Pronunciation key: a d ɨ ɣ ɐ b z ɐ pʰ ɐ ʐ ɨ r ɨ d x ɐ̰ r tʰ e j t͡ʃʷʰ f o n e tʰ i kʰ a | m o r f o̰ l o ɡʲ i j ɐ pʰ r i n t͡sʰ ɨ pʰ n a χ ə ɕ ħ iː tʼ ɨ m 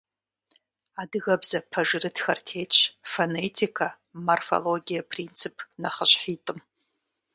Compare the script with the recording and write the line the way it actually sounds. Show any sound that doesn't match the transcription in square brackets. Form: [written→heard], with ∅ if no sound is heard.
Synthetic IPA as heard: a d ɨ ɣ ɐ b z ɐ pʰ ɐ ʐ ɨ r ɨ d x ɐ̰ r tʰ e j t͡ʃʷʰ f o n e tʰ i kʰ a | m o r f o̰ l o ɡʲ i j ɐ pʰ r i n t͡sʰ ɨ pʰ n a χ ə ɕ ħ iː tʼ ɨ m